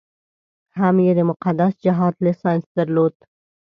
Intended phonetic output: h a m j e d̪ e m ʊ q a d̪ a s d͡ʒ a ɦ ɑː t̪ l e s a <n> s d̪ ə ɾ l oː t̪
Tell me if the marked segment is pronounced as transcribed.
yes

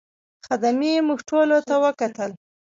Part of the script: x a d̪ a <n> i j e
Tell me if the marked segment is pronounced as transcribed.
no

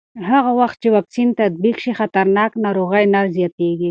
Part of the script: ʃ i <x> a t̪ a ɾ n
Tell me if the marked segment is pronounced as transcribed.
yes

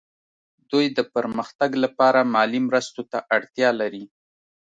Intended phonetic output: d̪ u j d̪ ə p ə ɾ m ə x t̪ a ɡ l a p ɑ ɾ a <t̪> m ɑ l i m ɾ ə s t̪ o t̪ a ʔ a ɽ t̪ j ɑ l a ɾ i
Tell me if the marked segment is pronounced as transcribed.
no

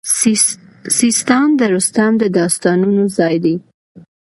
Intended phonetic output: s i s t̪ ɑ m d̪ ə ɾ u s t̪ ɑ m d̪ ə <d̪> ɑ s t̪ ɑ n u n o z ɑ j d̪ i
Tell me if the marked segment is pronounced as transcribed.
yes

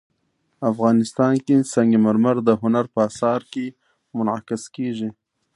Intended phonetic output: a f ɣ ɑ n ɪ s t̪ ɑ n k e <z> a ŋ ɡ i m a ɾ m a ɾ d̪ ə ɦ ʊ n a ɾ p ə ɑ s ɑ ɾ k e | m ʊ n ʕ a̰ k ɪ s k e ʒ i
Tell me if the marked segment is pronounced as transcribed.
no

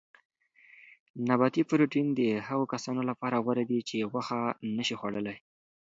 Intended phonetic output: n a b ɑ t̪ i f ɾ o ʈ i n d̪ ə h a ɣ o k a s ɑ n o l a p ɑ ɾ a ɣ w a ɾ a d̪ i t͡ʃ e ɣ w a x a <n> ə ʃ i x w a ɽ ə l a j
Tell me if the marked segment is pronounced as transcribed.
yes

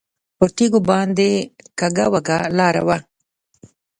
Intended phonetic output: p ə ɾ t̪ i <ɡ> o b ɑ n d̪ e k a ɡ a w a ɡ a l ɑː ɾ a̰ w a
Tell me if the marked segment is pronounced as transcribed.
yes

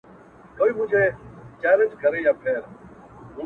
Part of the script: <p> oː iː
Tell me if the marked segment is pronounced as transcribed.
no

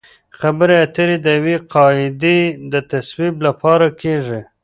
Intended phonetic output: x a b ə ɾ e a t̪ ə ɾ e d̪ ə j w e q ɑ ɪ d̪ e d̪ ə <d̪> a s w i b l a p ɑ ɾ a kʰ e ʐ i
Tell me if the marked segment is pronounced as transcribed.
no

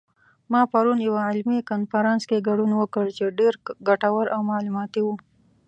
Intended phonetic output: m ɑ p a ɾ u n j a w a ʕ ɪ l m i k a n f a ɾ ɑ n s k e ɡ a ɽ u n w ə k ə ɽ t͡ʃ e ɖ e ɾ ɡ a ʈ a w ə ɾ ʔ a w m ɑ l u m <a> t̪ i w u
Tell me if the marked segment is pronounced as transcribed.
no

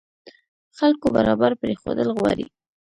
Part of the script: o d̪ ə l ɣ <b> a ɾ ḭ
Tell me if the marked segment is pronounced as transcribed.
no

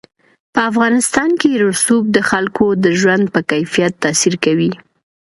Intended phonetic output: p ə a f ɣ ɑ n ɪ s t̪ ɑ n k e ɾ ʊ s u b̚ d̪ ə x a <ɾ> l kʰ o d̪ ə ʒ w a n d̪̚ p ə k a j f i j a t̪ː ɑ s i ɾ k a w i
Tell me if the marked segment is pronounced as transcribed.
no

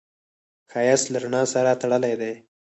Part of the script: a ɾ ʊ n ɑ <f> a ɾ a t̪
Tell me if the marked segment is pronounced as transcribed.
no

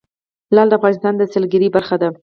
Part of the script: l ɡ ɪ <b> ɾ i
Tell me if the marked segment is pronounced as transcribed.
no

